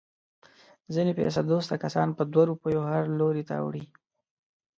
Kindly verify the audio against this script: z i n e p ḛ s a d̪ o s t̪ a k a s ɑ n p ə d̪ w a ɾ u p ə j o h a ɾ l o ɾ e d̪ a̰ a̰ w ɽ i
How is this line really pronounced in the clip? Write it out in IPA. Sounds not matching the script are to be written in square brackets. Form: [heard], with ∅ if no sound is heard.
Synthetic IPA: z i n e p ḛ s a d̪ o s t̪ a k a s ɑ n p ə d̪ w a ɾ u p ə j o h a ɾ l o ɾ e [t̪] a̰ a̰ w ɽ i